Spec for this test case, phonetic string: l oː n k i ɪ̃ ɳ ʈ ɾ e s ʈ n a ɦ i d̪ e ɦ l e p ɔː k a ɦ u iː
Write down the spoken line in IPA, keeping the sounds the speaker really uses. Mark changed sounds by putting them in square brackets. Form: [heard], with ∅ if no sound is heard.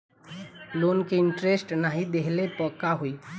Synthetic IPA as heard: l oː n k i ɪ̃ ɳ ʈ ɾ e s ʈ n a ɦ i d̪ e ɦ l e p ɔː k a ɦ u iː